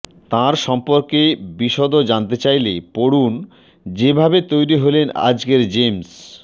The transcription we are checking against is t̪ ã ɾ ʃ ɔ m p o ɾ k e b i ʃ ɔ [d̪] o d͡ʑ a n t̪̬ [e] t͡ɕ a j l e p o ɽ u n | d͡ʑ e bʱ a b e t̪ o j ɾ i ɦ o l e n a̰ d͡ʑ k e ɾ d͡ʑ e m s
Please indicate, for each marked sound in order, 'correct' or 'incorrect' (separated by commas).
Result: correct, correct